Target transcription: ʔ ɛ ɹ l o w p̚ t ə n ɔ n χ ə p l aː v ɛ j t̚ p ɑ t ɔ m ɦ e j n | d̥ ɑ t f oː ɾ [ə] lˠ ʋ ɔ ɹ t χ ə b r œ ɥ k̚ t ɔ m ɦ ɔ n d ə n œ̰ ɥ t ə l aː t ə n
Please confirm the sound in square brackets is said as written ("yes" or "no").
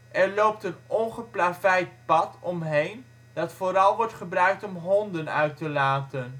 no